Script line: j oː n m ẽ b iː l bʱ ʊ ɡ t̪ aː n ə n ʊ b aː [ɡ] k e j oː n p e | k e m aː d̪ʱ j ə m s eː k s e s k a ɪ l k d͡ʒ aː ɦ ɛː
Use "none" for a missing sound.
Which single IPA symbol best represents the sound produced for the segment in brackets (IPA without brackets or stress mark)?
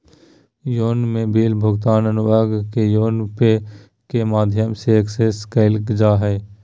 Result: ɡ